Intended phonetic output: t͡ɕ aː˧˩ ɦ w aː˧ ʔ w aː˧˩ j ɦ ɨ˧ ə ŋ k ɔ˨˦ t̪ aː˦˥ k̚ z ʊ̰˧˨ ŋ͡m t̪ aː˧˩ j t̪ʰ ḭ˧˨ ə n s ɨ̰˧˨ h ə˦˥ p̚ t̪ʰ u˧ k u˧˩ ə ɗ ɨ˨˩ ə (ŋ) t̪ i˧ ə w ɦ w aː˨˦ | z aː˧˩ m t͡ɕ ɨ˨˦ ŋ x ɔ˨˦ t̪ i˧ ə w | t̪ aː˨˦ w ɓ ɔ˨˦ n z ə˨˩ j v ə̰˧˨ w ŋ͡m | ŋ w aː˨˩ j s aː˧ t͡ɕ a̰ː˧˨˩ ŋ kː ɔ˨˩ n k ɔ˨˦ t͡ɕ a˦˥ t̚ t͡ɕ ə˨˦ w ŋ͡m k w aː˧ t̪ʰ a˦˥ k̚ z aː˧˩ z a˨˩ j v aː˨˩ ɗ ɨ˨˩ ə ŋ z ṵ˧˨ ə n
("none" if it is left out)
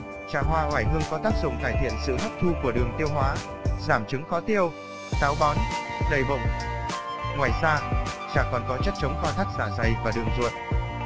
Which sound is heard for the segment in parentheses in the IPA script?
ŋ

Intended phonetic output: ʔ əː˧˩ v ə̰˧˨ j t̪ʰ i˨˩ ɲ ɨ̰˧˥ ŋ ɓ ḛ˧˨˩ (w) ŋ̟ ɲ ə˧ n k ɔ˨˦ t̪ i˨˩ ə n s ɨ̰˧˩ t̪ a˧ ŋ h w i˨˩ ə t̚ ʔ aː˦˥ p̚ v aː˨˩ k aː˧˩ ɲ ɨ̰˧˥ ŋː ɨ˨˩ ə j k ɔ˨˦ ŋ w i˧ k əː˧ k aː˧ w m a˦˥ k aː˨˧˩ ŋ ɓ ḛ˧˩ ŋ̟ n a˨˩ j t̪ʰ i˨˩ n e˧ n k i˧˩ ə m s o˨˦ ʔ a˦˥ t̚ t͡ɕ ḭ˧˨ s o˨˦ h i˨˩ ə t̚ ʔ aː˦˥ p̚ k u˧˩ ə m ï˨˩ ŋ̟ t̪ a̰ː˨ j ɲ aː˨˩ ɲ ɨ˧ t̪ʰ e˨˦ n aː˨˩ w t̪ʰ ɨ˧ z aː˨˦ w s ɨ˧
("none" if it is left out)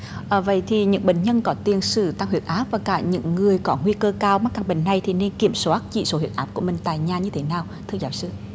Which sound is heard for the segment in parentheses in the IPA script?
none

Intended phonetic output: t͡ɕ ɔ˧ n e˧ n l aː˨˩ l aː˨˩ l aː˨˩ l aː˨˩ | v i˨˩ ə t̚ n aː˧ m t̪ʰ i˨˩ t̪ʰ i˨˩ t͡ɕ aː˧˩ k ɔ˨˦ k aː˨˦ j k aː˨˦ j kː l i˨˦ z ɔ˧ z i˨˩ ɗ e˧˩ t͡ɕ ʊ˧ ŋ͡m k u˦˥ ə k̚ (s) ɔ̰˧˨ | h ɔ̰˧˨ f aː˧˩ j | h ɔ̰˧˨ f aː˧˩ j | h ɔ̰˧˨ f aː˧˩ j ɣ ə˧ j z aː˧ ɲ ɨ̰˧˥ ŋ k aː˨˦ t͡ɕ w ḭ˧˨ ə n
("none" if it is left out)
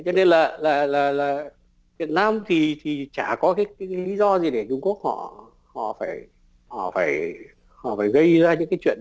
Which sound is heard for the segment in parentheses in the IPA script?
h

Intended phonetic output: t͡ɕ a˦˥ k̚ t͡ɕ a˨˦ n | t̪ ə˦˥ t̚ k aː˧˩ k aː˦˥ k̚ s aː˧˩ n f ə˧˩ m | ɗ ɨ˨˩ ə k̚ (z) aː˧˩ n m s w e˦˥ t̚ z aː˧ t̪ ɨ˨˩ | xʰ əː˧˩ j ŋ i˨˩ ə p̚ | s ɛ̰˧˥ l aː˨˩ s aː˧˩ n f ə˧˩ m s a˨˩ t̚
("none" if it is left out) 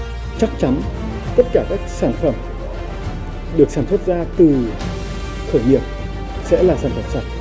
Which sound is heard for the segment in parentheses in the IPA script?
s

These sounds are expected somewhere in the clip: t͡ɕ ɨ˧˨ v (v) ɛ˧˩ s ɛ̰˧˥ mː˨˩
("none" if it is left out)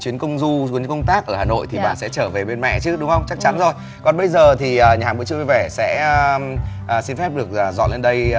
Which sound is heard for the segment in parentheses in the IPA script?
v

